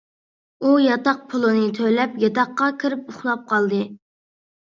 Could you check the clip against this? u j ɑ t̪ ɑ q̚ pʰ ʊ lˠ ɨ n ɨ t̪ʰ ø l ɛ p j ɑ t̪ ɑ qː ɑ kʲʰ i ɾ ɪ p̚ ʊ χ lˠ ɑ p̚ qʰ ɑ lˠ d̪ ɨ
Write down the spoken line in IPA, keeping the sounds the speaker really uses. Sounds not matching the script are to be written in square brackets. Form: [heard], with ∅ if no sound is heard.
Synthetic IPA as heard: u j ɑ t̪ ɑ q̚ pʰ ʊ lˠ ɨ n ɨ t̪ʰ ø l ɛ p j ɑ t̪ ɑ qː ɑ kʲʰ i ɾ ɪ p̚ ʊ χ lˠ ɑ p̚ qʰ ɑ lˠ d̪ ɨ